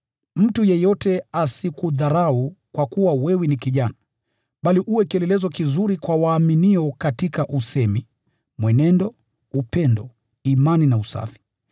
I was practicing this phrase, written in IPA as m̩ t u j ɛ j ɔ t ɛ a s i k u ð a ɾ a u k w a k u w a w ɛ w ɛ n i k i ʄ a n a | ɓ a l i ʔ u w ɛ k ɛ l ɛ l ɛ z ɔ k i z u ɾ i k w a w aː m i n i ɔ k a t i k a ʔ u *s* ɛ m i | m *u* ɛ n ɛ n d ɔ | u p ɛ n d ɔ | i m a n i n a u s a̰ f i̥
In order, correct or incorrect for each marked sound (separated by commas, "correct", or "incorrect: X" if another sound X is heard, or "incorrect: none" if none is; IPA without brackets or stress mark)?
correct, incorrect: w